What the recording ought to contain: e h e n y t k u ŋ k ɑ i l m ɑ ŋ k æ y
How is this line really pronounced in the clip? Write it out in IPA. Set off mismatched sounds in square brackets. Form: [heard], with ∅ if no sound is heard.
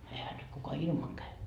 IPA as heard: e h [æ] n y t k u [∅] k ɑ i l m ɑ ŋ k æ y